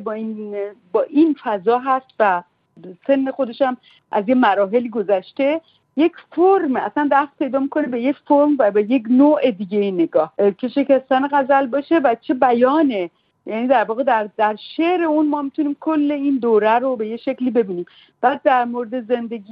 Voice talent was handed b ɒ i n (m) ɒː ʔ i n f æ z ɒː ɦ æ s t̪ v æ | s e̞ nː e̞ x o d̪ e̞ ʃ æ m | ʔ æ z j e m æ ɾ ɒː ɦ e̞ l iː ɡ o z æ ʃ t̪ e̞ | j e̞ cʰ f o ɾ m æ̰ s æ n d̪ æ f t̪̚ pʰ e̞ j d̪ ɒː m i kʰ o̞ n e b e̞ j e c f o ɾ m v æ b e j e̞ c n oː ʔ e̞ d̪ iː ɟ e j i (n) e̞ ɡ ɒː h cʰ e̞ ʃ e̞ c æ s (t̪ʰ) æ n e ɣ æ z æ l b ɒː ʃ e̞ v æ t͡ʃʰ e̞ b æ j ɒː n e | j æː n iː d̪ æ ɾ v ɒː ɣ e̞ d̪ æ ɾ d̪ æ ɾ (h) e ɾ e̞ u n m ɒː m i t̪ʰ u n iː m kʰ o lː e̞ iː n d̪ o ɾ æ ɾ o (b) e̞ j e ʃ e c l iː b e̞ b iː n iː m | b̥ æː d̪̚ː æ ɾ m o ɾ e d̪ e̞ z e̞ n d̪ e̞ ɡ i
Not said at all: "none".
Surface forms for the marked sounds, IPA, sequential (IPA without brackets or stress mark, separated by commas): b, n, t̪, ʃ, b